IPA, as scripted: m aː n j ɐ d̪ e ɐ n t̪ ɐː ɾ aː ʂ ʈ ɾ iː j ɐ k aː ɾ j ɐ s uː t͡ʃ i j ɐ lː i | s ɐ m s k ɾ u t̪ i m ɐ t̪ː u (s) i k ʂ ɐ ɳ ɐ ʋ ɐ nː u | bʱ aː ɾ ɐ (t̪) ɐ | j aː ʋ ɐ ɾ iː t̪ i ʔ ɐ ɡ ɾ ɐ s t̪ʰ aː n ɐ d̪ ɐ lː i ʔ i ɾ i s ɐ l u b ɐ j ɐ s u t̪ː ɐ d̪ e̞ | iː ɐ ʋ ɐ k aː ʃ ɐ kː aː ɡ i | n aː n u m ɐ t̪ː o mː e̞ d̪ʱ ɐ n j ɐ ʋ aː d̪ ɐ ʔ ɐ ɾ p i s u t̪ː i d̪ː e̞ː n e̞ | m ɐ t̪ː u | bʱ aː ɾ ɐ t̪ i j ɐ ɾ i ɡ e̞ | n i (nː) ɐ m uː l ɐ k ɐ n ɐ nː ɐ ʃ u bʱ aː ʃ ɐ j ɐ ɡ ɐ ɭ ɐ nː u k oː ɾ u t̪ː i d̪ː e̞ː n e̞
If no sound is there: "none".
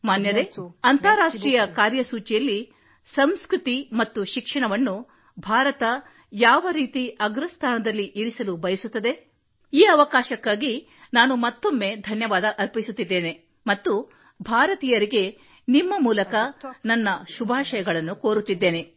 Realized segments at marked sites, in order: ʃ, t̪, mː

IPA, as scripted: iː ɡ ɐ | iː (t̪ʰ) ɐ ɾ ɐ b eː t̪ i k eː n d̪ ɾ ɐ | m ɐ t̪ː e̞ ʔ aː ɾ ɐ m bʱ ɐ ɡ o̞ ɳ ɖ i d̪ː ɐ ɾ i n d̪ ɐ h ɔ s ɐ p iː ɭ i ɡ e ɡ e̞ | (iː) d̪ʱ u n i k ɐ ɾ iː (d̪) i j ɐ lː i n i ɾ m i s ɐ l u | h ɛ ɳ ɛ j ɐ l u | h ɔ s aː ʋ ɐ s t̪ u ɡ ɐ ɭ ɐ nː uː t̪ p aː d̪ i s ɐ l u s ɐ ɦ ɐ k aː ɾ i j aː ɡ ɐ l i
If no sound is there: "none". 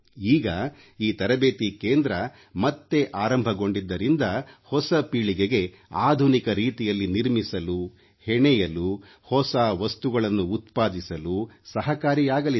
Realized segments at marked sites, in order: t̪, aː, t̪

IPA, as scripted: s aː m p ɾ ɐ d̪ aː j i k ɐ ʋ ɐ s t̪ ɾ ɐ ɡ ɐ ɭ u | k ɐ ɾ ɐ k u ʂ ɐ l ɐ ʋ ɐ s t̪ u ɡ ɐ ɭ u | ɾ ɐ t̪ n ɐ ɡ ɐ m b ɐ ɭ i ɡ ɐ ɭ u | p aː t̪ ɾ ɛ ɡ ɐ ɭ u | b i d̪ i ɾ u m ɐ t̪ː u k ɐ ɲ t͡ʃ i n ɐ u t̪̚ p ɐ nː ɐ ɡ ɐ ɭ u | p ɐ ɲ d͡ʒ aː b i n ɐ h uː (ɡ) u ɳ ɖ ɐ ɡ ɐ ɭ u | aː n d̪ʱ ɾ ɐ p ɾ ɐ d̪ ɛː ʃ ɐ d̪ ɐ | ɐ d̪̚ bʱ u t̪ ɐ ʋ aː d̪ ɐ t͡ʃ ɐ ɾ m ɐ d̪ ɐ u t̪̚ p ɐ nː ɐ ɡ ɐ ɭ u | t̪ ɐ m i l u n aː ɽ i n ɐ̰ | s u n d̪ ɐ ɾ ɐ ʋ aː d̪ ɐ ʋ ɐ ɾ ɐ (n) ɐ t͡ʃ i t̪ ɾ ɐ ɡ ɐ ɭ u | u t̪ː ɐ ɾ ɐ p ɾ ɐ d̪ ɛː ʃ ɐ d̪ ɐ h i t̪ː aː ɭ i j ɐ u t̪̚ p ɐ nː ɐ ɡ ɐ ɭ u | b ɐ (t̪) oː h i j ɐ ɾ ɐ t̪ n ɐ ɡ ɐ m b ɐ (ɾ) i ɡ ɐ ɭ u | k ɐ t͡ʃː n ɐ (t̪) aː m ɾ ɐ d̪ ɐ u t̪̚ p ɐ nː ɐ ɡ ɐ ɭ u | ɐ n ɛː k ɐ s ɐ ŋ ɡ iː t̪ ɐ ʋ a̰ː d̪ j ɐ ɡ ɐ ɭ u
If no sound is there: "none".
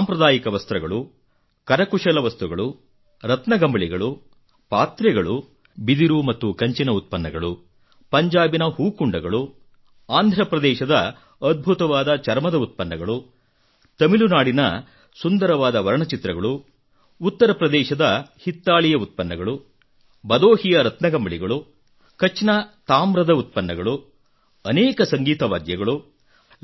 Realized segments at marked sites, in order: k, ɳ, d̪, ɭ, t̪

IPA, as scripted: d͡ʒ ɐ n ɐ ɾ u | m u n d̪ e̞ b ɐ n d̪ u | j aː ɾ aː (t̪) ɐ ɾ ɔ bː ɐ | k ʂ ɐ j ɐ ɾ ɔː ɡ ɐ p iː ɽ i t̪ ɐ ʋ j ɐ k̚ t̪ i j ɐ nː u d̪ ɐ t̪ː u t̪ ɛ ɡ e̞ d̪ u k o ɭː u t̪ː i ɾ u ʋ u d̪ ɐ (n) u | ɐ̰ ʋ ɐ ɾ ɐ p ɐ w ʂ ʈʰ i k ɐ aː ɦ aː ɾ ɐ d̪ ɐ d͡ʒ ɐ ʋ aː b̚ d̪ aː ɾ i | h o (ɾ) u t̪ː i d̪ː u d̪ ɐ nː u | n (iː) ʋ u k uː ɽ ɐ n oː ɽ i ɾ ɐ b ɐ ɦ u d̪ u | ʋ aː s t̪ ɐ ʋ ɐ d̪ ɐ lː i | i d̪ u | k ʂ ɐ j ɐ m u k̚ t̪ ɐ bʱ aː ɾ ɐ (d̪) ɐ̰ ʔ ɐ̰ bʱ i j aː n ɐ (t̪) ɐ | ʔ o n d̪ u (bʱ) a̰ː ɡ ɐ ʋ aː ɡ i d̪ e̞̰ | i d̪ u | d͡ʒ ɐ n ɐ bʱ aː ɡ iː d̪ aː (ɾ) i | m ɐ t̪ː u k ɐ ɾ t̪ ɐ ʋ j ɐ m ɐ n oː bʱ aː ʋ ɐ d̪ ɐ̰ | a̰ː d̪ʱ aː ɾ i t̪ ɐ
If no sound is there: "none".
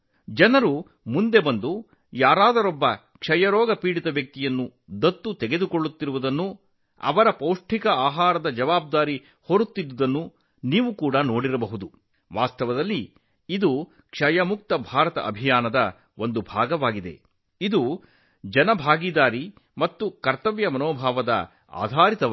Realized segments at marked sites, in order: d̪, nː, ɾ, iː, t̪, d̪, bʱ, ɾ

